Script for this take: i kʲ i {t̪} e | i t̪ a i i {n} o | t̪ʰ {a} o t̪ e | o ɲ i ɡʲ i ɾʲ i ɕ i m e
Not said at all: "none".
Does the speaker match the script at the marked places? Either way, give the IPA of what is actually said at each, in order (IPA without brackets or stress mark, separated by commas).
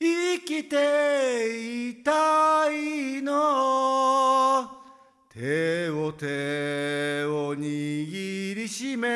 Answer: t̪, n, e